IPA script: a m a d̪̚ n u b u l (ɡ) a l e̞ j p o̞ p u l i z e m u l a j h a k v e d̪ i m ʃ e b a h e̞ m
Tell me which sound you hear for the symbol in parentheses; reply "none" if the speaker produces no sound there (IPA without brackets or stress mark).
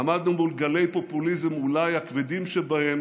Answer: ɡ